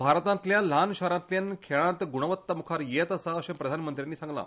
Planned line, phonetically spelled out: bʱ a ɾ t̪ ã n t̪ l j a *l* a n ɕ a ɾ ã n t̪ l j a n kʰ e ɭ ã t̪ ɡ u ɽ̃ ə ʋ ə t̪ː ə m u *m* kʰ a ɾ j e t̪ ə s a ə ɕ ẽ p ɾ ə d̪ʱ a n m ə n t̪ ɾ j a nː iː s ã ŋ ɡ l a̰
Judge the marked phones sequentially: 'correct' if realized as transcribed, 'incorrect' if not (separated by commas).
correct, incorrect